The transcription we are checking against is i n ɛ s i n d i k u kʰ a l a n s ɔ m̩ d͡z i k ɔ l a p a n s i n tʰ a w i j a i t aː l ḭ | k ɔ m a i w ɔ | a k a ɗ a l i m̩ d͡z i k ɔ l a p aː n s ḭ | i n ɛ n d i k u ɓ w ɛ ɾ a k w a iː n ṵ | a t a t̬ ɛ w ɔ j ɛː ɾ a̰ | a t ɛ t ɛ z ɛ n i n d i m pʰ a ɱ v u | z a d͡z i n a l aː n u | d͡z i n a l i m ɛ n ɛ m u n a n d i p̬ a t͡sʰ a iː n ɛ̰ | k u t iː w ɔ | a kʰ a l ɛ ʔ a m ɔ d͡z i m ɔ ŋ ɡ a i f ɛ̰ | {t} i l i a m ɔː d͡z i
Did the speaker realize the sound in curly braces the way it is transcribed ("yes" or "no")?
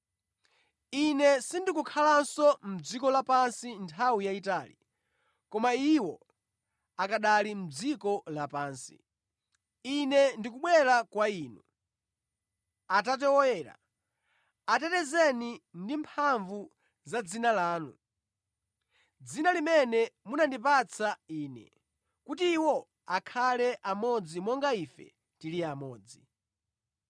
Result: yes